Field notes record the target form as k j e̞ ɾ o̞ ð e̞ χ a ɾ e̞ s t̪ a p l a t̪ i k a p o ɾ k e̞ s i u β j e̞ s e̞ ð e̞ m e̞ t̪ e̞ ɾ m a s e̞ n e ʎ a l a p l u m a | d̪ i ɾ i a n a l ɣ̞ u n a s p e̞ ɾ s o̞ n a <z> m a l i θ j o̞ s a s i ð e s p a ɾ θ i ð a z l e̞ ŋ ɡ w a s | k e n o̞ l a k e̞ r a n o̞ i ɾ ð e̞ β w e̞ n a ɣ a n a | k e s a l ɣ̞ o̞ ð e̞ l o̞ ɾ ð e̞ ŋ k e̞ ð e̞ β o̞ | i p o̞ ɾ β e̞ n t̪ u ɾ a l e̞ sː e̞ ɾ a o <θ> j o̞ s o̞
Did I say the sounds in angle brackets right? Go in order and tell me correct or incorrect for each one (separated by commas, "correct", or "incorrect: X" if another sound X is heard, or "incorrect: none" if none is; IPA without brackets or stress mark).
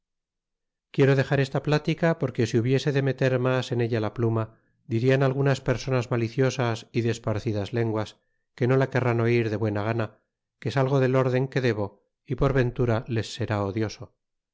correct, incorrect: ð